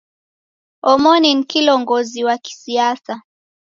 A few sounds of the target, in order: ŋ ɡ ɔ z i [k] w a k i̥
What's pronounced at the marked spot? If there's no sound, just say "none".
none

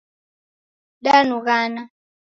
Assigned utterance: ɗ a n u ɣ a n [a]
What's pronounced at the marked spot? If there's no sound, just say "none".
a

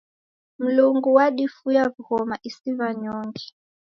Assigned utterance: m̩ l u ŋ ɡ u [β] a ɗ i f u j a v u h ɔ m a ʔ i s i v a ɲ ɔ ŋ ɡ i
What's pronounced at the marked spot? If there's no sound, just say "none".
w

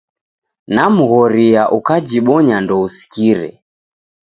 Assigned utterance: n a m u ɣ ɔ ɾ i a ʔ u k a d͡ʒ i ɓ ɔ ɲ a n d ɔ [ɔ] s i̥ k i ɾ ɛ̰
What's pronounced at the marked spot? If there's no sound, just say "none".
u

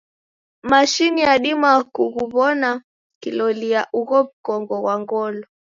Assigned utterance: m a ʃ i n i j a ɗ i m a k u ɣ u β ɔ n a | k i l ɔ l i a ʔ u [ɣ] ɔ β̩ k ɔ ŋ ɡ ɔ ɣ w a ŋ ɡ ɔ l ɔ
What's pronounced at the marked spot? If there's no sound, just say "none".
ɣ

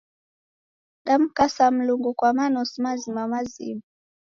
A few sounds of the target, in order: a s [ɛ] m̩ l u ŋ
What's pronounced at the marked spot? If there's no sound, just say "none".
a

